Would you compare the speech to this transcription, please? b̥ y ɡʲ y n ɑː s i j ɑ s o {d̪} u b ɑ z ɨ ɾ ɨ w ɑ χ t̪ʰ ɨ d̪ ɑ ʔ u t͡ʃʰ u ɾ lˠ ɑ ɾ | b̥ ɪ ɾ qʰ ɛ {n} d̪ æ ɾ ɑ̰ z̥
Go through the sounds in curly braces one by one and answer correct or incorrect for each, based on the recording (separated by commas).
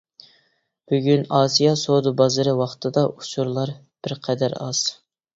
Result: correct, incorrect